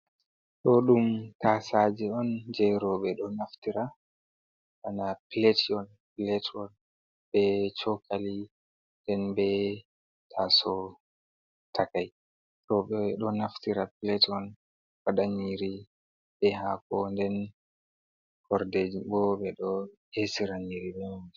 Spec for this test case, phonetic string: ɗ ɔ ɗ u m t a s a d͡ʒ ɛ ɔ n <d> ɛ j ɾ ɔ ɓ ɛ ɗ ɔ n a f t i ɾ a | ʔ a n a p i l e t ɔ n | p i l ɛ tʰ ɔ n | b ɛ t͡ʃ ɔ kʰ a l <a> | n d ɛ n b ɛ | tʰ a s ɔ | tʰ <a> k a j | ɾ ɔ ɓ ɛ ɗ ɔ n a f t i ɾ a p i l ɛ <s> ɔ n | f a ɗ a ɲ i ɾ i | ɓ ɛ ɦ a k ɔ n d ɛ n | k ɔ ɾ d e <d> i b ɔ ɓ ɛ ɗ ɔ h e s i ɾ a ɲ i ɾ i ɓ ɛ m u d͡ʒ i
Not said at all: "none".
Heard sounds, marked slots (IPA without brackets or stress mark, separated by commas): d͡ʒ, i, a, t, d͡ʒ